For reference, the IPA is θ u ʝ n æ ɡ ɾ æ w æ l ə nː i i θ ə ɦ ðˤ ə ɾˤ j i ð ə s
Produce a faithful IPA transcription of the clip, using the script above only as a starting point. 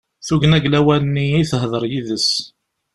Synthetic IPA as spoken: θ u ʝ n æ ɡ l æ w æ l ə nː i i θ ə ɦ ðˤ ə ɾˤ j i ð ə s